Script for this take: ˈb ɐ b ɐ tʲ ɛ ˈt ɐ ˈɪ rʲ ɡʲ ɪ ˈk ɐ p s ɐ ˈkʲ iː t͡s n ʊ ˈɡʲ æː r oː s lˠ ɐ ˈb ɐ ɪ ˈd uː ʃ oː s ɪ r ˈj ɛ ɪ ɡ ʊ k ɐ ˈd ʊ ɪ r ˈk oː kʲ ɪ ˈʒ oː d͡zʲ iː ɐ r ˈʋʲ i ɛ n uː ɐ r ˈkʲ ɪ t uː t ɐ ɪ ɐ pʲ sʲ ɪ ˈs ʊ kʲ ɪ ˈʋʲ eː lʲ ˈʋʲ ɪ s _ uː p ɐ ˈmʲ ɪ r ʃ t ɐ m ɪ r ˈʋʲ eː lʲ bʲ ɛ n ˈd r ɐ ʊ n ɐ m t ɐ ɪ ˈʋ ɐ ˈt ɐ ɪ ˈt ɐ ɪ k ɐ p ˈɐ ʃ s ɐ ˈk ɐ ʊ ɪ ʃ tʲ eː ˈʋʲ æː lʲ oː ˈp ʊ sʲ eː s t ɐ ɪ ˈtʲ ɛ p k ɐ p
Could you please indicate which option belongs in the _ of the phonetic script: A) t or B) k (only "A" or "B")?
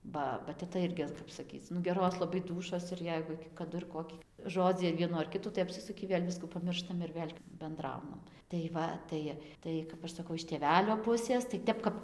B